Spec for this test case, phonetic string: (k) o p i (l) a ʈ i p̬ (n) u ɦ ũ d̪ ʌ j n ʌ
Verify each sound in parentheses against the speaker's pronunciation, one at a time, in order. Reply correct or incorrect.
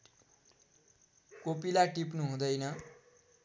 correct, correct, correct

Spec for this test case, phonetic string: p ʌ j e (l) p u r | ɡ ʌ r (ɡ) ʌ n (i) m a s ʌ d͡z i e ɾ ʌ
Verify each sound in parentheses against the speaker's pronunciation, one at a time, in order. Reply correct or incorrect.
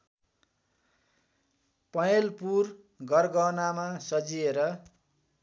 correct, correct, incorrect: a

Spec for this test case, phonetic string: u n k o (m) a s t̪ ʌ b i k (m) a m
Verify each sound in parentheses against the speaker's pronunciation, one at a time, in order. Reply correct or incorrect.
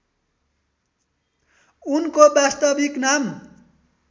incorrect: b, incorrect: n

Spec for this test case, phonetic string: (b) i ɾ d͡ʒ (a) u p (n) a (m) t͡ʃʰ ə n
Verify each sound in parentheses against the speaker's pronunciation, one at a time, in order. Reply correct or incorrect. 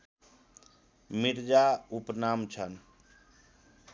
incorrect: m, correct, correct, correct

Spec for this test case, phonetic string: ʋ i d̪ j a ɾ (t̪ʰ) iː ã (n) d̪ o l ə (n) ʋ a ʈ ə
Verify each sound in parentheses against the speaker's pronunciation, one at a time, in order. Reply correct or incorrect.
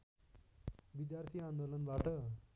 correct, correct, correct

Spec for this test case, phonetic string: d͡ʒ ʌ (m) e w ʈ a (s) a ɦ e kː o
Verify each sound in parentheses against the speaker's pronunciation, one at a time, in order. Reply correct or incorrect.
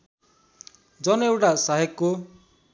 incorrect: n, correct

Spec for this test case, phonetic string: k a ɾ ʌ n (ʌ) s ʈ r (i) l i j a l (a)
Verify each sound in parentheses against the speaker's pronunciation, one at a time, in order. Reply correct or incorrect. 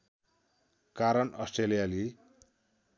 correct, incorrect: e, incorrect: i

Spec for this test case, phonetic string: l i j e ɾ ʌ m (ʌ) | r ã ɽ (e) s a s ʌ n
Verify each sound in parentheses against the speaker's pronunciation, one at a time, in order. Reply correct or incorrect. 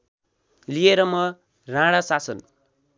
correct, incorrect: a

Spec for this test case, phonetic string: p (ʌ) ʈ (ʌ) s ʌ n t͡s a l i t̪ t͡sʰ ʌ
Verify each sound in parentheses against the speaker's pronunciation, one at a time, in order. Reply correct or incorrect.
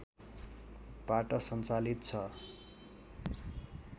incorrect: a, correct

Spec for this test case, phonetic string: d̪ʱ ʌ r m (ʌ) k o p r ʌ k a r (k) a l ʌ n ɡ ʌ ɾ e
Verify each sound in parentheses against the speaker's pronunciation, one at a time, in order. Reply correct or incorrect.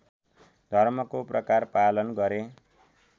correct, incorrect: p

